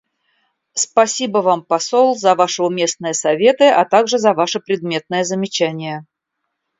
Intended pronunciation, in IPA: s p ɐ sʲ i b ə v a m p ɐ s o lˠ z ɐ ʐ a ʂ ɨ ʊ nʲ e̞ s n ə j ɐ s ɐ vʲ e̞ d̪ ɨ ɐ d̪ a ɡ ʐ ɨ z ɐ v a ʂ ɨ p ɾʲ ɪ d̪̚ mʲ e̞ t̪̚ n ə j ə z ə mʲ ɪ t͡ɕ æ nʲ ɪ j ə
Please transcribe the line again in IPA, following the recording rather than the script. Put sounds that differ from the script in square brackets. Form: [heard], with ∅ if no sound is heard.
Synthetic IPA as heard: s p ɐ sʲ i b ə v a m p ɐ s o lˠ z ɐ [v] a ʂ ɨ ʊ [mʲ] e̞ s n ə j [ə] s ɐ vʲ e̞ [t̪] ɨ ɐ [t̪] a ɡ ʐ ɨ z ɐ v a ʂ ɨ p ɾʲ ɪ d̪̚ mʲ e̞ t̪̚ n ə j ə z ə mʲ ɪ t͡ɕ æ nʲ ɪ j ə